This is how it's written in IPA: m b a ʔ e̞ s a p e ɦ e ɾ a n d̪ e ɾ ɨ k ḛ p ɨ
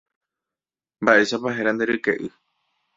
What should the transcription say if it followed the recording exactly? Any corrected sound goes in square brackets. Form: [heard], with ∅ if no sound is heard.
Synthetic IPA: m b a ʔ e̞ [ʃ] a p [a] ɦ e ɾ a n d̪ e ɾ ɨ k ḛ [ʔ] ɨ